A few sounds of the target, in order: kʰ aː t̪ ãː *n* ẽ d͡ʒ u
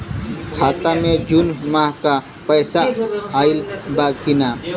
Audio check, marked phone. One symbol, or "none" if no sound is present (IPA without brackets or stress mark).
m